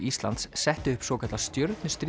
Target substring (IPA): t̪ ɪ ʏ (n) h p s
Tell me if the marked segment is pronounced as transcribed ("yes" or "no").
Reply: no